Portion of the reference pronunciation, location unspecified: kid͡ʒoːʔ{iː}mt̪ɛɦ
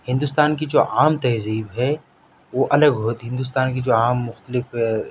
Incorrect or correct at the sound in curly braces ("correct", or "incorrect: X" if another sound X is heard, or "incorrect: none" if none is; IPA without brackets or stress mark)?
incorrect: aː